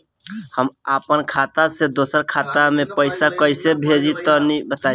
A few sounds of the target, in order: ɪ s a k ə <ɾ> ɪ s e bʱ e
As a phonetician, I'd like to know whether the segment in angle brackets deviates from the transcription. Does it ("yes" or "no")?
yes